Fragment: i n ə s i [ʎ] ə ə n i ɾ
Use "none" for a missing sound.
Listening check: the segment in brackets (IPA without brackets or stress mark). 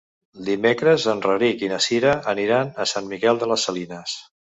ɾ